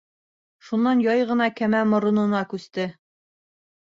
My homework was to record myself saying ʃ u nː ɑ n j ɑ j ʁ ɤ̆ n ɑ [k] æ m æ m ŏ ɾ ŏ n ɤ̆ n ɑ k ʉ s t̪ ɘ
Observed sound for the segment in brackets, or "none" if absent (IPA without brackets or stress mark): k